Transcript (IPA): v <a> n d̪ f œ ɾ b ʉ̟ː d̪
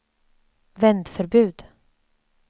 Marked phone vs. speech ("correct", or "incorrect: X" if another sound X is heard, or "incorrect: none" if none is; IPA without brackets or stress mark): incorrect: ɛ